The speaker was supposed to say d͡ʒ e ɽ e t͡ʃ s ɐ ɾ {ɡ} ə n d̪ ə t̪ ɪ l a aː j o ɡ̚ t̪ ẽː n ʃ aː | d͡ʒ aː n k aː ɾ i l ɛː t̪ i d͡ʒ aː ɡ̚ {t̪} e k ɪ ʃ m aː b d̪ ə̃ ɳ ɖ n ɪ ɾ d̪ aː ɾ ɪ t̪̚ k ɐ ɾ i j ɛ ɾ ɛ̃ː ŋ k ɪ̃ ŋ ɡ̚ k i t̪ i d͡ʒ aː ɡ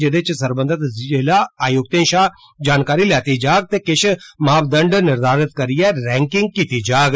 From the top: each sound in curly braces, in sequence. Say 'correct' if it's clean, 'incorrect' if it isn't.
incorrect: b, correct

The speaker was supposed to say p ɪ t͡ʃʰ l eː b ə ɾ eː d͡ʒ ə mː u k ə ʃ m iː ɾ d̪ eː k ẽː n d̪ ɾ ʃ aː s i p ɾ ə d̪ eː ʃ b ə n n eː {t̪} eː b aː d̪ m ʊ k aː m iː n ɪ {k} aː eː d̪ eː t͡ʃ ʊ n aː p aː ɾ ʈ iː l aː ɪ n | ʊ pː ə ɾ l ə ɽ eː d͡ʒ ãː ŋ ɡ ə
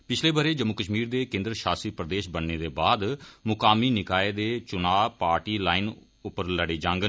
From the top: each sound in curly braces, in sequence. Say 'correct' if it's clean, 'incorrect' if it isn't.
incorrect: d̪, correct

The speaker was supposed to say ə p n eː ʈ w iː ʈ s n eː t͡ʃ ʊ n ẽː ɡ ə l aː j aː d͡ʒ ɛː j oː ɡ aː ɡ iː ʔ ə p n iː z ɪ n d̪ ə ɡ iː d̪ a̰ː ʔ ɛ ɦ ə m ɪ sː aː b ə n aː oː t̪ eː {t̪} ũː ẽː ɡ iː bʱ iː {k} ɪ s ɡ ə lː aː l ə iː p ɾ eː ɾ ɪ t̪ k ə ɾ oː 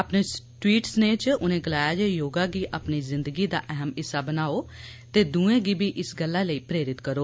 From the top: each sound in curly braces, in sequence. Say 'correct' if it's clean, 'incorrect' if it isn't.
incorrect: d̪, incorrect: ʔ

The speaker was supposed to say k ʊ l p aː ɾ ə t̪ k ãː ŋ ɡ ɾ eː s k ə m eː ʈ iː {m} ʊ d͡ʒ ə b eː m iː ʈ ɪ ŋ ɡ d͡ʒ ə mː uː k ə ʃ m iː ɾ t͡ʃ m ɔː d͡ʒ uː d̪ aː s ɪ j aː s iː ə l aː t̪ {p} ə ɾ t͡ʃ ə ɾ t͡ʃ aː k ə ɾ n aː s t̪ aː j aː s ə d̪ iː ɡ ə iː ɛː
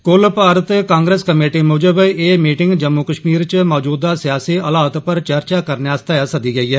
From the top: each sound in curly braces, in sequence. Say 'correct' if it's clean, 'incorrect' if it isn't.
correct, correct

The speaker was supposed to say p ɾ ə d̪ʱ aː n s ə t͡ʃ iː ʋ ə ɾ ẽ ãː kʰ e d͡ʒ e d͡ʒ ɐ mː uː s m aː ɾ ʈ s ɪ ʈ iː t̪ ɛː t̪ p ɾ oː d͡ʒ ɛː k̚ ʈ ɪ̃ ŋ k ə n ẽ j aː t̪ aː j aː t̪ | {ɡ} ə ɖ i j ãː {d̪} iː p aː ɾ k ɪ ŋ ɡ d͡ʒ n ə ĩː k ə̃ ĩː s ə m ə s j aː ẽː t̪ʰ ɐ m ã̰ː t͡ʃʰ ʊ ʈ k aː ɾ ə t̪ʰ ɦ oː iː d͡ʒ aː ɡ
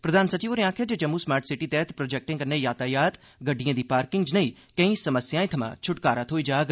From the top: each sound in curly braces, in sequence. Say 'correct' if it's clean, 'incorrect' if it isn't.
correct, correct

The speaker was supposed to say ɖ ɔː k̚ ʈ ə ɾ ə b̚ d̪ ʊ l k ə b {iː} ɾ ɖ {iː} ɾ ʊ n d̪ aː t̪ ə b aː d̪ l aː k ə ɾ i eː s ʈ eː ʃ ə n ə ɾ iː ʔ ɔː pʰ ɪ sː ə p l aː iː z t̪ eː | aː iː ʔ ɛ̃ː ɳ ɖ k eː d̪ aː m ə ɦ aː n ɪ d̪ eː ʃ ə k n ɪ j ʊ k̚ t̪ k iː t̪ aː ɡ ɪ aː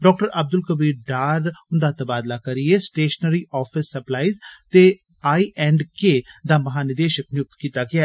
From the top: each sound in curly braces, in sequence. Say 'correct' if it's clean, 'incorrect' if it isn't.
correct, incorrect: aː

